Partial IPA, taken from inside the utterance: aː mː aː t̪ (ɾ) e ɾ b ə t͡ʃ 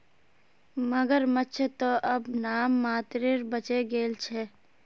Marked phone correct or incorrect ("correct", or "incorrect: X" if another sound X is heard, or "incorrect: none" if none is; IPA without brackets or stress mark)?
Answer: correct